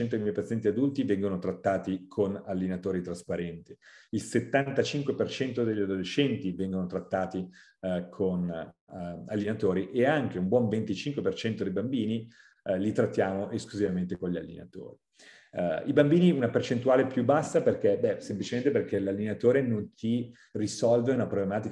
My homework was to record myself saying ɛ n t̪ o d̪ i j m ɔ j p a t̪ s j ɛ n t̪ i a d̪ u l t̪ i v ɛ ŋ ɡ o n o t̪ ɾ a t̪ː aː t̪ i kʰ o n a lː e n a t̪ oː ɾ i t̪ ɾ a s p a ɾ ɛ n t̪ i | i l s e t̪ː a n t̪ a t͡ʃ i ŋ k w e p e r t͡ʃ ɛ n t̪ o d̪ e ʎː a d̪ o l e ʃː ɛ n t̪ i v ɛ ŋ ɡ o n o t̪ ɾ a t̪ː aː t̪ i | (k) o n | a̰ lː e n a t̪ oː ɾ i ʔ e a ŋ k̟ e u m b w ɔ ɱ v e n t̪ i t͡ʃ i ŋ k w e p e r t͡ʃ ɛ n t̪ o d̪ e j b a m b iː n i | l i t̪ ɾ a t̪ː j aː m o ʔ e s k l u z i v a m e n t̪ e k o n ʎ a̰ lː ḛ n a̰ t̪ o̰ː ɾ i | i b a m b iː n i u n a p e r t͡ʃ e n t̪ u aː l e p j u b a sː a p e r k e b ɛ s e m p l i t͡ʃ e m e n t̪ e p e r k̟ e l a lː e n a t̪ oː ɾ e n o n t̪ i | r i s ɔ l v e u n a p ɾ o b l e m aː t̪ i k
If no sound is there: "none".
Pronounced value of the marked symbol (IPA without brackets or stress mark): kʰ